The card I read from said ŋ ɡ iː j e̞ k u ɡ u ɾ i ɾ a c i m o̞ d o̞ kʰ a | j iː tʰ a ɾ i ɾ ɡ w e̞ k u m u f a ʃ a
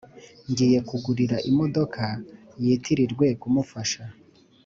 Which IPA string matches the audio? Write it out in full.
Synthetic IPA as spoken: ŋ ɡ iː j e̞ k u ɡ u ɾ i ɾ a ʔ i m o̞ d o̞ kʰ a | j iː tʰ i ɾ i ɾ ɡ w e̞ k u m u f a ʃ a